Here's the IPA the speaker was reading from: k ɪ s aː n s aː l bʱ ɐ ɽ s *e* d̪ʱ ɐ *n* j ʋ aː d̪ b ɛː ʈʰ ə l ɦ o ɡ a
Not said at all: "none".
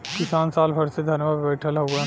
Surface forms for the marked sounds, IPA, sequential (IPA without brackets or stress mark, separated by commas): e, n